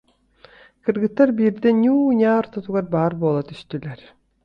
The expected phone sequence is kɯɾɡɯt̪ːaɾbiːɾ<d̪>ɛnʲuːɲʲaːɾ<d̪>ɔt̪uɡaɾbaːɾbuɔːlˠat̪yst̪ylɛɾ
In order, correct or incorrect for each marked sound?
correct, incorrect

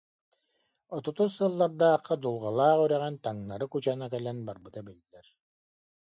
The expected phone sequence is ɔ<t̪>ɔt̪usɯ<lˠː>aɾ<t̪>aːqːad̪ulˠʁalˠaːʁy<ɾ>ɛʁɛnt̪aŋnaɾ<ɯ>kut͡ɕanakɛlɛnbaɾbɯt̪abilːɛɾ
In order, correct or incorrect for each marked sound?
correct, correct, incorrect, correct, correct

